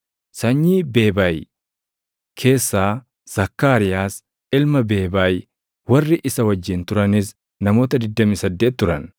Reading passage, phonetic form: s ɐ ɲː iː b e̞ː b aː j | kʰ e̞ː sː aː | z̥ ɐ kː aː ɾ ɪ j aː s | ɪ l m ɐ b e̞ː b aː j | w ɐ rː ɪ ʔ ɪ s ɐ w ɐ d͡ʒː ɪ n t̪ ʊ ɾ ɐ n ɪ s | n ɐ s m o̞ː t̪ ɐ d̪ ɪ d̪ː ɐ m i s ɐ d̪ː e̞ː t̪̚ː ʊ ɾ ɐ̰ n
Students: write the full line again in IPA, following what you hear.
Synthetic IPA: s ɐ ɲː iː b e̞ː b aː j | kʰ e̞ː sː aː | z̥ ɐ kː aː ɾ ɪ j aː s | ɪ l m ɐ b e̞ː b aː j | w ɐ rː ɪ ʔ ɪ s ɐ w ɐ d͡ʒː ɪ n t̪ ʊ ɾ ɐ n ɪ s | n ɐ m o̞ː t̪ ɐ d̪ ɪ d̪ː ɐ m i s ɐ d̪ː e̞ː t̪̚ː ʊ ɾ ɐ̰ n

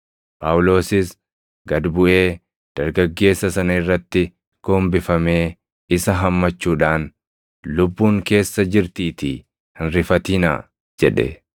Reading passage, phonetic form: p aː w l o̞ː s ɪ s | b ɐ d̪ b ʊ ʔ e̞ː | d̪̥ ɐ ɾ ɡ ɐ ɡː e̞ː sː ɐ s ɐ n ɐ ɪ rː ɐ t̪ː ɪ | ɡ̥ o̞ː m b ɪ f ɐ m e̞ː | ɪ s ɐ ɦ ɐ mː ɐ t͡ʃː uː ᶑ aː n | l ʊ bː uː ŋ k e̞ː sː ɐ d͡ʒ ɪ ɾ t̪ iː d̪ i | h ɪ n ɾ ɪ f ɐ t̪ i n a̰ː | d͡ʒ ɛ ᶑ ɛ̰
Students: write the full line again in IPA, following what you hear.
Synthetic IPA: p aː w l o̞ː s ɪ s | ɡ ɐ d̪ b ʊ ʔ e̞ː | d̪̥ ɐ ɾ ɡ ɐ ɡː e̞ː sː ɐ s ɐ n ɐ ɪ rː ɐ t̪ː ɪ | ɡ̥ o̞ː m b ɪ f ɐ m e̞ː | ɪ s ɐ ɦ ɐ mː ɐ t͡ʃː uː ᶑ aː n | l ʊ bː uː ŋ k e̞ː sː ɐ d͡ʒ ɪ ɾ t̪ iː t̪ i | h ɪ n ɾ ɪ f ɐ t̪ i n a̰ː | d͡ʒ ɛ ᶑ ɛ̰

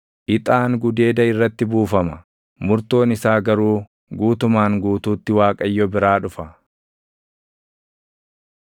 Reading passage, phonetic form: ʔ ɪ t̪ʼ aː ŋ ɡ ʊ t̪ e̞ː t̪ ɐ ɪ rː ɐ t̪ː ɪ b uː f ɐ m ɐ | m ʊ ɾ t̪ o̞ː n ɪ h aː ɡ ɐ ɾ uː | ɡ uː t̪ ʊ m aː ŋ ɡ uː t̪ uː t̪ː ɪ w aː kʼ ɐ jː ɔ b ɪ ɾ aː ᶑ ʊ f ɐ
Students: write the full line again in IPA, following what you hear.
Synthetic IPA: ʔ ɪ t̪ʼ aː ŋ ɡ ʊ d̪ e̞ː d̪ ɐ ɪ rː ɐ t̪ː ɪ b uː f ɐ m ɐ | m ʊ ɾ t̪ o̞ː n ɪ s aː ɡ ɐ ɾ uː | ɡ uː t̪ ʊ m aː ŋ ɡ uː t̪ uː t̪ː ɪ w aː kʼ ɐ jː ɔ b ɪ ɾ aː ᶑ ʊ f ɐ

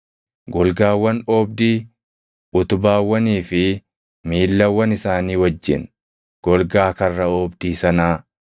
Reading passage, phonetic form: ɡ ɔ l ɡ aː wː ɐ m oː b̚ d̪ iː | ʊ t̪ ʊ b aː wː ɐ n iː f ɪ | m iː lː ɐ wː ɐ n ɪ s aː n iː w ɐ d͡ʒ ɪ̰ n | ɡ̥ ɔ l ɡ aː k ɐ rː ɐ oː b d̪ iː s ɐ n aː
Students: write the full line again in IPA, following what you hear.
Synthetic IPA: ɡ ɔ l ɡ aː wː ɐ n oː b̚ d̪ iː | ʊ t̪ ʊ b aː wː ɐ n iː f ɪ | m iː lː ɐ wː ɐ n ɪ s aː n iː w ɐ d͡ʒː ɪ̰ n | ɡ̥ ɔ l ɡ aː k ɐ rː ɐ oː b d̪ iː s ɐ n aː

